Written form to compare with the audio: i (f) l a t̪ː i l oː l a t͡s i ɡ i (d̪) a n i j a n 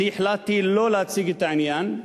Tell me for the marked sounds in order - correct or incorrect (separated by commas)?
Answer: incorrect, incorrect